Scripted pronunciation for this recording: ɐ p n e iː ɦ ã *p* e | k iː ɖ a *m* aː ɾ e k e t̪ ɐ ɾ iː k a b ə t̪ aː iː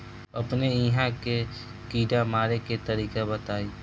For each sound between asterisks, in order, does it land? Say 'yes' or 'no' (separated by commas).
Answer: no, yes